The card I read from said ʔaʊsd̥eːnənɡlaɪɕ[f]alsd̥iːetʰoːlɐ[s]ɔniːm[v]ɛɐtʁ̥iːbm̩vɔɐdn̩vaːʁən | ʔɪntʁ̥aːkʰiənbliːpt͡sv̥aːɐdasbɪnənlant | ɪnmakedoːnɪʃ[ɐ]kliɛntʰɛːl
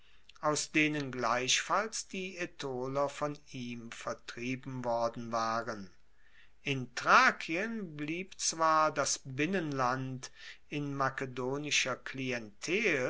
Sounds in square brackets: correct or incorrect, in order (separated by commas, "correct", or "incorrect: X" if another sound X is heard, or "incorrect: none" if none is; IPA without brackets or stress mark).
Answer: correct, incorrect: f, incorrect: f, correct